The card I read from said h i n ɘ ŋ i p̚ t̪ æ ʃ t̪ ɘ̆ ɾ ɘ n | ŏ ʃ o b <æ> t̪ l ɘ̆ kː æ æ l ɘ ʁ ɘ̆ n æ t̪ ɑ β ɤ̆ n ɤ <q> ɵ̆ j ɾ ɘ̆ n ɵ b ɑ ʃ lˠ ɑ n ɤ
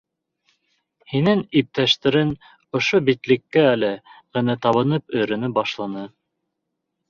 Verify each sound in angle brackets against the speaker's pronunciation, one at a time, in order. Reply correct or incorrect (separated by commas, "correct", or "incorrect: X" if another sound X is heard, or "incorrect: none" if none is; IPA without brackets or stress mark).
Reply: incorrect: i, incorrect: p